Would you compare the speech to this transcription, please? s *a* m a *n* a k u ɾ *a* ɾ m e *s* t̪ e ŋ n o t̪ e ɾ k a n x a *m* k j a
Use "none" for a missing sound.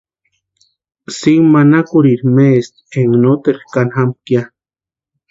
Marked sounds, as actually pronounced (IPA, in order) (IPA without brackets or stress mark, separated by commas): i, n, i, s, m